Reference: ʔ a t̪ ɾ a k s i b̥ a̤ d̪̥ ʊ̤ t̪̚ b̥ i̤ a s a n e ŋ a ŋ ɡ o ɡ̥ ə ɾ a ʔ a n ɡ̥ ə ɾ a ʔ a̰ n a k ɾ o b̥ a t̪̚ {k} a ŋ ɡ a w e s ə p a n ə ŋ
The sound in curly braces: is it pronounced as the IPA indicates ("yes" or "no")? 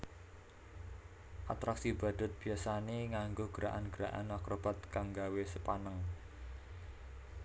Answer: yes